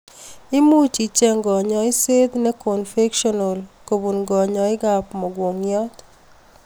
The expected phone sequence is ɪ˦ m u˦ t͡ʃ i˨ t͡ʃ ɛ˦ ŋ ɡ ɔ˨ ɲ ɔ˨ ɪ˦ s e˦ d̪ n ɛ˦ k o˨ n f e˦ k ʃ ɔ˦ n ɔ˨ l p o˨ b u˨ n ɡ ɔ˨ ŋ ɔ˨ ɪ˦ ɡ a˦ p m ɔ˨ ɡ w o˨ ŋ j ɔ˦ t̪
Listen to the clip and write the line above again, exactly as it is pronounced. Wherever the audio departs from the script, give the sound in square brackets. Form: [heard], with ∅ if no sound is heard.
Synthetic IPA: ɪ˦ m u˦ t͡ʃ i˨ t͡ʃ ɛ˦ ŋ ɡ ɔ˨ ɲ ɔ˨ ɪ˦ s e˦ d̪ n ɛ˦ k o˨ n f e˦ k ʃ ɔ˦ n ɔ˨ l [k] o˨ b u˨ n ɡ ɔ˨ [ɲ] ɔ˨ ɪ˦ ɡ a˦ p m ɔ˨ ɡ w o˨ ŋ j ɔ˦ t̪